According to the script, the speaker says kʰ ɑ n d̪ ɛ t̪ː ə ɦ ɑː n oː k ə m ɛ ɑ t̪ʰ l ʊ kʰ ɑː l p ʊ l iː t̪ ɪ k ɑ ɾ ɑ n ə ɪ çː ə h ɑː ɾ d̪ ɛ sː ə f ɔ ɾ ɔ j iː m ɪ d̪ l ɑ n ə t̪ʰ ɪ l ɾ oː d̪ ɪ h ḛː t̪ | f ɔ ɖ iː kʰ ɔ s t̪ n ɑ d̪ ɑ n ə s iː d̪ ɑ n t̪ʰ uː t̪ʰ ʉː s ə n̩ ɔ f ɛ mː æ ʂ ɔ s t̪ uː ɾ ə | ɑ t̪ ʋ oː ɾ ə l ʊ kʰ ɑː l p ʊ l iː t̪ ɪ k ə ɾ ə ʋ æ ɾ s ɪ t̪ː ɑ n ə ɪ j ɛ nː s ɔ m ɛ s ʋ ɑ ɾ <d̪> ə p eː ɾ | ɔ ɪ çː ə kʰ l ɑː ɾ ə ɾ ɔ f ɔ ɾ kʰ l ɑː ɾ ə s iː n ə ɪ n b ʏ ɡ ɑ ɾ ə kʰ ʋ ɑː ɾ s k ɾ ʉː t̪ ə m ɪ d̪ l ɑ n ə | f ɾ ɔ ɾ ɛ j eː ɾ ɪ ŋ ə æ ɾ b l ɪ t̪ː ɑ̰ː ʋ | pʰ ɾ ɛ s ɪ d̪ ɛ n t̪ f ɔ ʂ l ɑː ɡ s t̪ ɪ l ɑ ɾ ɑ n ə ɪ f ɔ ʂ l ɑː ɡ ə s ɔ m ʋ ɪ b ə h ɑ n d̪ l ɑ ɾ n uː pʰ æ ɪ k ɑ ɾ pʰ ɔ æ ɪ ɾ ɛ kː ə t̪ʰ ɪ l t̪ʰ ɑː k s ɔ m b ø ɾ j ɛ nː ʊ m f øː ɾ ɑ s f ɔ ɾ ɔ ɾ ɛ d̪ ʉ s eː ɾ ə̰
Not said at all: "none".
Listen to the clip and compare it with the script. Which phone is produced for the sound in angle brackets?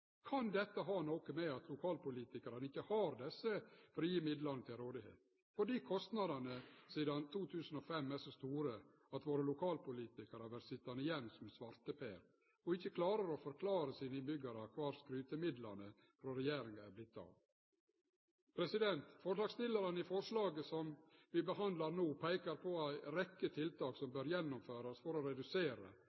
t̪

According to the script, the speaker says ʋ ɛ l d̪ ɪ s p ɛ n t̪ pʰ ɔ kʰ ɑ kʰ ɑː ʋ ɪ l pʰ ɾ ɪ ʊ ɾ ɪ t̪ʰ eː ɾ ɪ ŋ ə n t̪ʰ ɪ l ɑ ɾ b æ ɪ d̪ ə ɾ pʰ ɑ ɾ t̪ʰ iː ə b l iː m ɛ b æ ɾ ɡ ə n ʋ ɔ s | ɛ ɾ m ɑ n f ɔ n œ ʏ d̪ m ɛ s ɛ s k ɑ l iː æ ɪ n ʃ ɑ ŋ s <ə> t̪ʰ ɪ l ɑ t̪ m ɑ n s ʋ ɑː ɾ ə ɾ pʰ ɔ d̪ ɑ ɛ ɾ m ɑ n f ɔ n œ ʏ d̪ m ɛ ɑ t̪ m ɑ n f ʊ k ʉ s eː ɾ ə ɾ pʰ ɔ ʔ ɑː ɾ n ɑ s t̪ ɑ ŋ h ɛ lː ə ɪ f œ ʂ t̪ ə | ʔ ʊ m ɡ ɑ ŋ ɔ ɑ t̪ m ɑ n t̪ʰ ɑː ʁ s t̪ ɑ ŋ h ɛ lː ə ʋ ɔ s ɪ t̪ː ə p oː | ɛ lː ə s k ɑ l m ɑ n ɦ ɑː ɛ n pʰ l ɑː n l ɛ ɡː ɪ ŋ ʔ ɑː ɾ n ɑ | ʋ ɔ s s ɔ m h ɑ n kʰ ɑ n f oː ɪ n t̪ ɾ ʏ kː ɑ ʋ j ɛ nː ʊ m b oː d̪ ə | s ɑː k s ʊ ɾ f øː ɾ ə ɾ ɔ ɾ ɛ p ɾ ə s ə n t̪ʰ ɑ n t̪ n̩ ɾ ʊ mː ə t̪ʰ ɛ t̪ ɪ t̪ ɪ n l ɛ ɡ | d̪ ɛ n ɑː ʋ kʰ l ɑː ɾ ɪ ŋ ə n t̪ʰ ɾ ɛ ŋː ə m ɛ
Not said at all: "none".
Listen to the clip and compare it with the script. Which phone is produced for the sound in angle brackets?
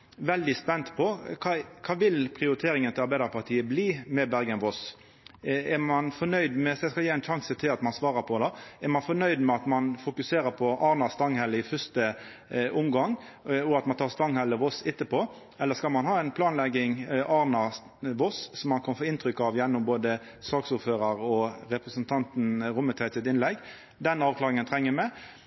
ə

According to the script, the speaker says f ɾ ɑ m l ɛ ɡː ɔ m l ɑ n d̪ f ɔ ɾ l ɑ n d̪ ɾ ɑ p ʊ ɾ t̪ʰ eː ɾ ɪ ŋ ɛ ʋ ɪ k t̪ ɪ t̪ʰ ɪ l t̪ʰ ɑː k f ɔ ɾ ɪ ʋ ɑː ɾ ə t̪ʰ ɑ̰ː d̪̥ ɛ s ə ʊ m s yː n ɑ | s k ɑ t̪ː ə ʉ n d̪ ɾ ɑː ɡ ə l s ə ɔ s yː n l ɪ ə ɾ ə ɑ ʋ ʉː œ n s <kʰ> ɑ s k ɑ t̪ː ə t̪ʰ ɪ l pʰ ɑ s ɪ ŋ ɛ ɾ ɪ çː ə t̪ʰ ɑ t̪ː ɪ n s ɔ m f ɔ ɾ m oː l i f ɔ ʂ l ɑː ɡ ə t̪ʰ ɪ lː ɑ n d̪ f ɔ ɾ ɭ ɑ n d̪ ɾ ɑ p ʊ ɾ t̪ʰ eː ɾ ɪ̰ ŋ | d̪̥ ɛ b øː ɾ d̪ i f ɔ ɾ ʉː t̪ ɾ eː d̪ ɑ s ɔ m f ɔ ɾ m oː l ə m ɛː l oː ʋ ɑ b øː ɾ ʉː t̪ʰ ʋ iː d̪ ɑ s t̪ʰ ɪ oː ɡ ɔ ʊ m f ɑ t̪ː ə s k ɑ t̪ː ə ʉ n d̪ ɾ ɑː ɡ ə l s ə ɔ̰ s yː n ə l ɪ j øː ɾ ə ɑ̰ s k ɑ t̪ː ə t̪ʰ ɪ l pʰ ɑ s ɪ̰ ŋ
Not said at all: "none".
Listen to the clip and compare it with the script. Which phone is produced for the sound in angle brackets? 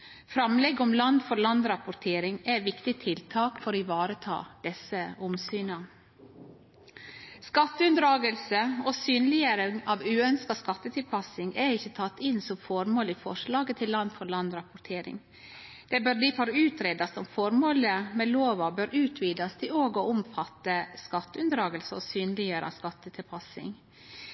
k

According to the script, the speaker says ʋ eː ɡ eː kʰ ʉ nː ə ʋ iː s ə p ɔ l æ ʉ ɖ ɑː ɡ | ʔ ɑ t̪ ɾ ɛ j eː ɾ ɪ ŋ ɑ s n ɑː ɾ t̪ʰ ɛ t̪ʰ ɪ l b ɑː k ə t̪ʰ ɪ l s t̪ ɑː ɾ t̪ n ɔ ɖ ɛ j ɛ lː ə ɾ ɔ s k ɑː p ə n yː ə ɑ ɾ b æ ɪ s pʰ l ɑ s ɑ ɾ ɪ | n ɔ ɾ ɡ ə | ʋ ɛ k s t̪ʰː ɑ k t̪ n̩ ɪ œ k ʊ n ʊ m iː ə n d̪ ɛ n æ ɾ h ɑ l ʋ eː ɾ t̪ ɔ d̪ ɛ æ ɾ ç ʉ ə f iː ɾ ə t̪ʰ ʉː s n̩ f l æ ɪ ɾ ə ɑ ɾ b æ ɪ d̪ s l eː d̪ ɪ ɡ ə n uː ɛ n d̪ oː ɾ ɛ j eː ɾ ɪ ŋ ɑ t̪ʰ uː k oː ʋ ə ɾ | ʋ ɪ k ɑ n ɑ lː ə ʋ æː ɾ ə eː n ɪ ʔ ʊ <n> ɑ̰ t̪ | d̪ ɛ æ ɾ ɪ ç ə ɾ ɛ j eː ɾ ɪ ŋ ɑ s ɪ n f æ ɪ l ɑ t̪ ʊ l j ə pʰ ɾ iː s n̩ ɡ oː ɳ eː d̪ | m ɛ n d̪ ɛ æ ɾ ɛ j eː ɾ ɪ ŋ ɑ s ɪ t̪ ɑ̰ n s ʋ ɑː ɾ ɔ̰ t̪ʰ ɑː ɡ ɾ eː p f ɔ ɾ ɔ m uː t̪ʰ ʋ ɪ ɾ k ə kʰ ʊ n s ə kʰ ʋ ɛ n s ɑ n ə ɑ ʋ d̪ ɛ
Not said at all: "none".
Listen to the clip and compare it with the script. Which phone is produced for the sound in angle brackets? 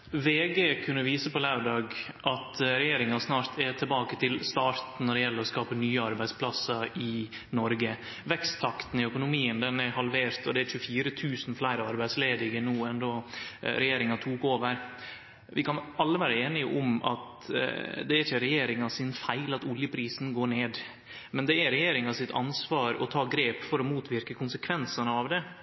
m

